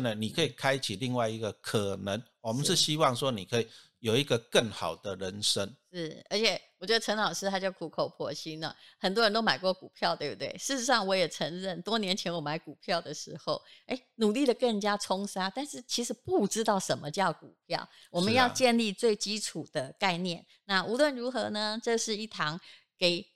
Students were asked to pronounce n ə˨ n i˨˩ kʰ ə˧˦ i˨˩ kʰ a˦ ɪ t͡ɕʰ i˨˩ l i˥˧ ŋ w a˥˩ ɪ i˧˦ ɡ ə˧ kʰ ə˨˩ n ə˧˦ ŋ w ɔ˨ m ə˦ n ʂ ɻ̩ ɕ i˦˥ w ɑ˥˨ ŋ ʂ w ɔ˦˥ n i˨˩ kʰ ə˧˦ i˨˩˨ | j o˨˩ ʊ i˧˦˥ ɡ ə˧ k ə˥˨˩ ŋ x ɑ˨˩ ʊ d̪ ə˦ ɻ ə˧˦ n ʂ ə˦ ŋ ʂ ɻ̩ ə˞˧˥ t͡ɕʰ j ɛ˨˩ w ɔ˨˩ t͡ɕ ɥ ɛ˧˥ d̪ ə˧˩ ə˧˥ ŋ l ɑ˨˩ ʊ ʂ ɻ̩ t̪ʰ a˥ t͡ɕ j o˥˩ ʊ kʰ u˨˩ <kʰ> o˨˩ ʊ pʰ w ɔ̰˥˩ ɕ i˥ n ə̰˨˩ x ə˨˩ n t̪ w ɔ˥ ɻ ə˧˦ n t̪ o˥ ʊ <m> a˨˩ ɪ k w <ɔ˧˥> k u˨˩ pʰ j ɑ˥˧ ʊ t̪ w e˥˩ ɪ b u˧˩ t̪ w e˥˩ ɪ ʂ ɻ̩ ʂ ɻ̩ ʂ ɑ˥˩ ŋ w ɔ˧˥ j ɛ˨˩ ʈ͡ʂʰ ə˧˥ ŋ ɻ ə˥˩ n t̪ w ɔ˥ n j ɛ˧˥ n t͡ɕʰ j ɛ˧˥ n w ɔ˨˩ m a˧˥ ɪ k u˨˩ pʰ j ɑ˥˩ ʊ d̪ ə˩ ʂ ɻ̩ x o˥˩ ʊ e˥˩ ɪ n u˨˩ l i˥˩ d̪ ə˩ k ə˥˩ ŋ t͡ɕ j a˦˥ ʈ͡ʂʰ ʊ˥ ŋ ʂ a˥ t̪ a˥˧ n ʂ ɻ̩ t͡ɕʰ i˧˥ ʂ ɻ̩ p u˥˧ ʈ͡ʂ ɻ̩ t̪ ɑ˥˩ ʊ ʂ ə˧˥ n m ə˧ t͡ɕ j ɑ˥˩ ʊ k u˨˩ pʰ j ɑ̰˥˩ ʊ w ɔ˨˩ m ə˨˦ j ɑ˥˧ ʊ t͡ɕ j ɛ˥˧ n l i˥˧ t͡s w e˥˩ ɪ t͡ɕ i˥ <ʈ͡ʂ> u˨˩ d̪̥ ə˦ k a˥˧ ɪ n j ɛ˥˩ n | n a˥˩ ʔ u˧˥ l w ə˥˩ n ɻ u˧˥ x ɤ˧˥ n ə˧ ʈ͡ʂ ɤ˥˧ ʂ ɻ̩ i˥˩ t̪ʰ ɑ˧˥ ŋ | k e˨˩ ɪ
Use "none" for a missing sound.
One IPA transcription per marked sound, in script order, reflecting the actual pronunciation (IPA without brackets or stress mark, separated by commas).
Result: kʰ, m, ɔ˥˩, ʈ͡ʂʰ